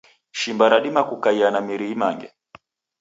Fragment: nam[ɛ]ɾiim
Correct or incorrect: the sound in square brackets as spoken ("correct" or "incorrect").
incorrect